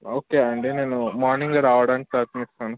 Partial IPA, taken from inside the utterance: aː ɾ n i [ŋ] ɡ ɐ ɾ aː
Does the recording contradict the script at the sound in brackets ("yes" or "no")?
no